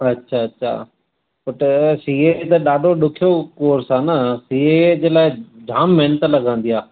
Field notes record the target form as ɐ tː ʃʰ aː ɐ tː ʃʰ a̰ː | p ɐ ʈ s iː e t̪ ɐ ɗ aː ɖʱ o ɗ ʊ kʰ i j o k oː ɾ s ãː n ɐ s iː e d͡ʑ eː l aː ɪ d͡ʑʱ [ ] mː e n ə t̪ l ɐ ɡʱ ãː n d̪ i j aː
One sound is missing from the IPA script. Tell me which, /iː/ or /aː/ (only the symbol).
aː